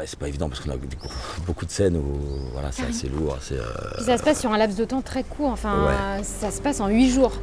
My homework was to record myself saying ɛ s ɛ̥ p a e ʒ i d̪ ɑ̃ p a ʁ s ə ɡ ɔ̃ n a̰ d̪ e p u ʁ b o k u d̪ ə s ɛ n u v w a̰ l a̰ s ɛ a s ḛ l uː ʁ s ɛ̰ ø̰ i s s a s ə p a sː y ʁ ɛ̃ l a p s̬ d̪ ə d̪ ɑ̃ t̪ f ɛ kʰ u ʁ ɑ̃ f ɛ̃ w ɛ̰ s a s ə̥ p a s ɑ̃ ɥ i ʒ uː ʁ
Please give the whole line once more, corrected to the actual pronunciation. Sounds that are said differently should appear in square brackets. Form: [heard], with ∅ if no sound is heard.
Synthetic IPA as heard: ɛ s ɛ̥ p a e [v] i d̪ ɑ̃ p a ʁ s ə [k] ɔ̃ n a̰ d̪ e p u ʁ b o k u d̪ ə s ɛ n u v w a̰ l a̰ s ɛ a s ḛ l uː ʁ s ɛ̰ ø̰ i s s a s ə p a sː y ʁ ɛ̃ l a p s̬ d̪ ə [t̪] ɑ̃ t̪ [χ] ɛ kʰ u ʁ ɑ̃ f ɛ̃ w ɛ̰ s a s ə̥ p a s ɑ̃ ɥ i ʒ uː ʁ